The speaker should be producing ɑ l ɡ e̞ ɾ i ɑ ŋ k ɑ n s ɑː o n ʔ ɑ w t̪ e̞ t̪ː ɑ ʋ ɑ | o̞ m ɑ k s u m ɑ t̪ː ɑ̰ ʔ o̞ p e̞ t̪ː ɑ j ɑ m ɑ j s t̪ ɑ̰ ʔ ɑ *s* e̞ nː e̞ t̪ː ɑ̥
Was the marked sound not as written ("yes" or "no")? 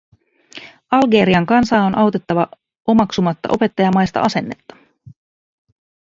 no